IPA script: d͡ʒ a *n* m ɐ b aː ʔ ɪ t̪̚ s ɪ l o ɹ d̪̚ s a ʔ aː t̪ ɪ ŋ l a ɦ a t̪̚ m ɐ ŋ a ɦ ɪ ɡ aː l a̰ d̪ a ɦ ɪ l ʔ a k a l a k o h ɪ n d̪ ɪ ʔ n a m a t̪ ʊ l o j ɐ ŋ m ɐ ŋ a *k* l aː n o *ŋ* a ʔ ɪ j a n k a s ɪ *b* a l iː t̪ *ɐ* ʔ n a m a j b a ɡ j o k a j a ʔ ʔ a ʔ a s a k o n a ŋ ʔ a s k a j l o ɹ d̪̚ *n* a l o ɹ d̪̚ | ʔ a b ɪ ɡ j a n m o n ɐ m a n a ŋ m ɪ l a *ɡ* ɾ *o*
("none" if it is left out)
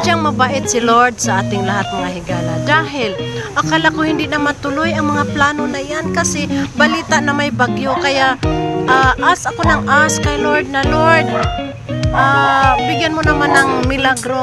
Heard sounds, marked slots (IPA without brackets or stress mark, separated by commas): ŋ, p, n, b, a, n, ɡ, o